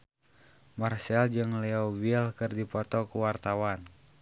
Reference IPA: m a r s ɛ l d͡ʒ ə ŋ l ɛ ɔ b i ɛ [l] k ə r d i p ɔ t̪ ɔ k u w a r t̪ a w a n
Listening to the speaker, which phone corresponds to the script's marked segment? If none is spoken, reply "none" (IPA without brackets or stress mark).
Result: l